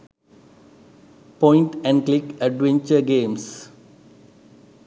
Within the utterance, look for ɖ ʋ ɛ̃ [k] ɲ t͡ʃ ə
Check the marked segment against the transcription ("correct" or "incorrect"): incorrect